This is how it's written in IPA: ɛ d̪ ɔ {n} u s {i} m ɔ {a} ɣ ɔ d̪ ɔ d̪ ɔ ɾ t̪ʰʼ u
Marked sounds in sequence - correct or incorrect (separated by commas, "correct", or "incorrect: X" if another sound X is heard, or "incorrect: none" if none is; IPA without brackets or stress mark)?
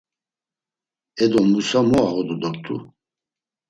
incorrect: m, incorrect: a, correct